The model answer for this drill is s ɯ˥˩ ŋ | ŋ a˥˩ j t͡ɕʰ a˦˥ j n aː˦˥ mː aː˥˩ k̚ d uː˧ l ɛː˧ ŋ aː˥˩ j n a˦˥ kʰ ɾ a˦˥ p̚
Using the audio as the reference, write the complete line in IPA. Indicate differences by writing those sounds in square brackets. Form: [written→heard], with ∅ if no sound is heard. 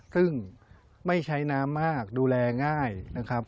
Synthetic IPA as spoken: s ɯ˥˩ ŋ | [ŋ→m] a˥˩ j t͡ɕʰ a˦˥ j n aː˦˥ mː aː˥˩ k̚ d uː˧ l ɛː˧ ŋ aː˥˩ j n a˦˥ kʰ ɾ a˦˥ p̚